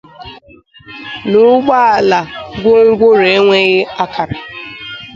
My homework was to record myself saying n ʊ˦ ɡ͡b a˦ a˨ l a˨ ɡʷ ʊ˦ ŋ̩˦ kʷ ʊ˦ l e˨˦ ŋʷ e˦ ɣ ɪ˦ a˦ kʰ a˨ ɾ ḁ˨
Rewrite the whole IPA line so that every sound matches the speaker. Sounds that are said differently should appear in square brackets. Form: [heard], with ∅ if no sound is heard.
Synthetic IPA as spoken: n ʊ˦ ɡ͡b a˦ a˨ l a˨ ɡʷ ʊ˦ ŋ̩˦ [ɡʷ] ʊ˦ [ɾ] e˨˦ ŋʷ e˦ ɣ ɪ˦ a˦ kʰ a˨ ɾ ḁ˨